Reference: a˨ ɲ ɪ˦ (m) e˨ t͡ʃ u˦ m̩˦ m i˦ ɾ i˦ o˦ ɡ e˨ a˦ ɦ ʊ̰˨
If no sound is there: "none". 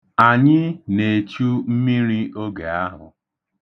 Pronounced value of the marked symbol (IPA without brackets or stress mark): n